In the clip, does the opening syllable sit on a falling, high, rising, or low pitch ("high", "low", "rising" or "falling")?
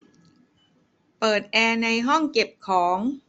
low